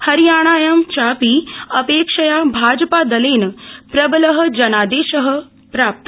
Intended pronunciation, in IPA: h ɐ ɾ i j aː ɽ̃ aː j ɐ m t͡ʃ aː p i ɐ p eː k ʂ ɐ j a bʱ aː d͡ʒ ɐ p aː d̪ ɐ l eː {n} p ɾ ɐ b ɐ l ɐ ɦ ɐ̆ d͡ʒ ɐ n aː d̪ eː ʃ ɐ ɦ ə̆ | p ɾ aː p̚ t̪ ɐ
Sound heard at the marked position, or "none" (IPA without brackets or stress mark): n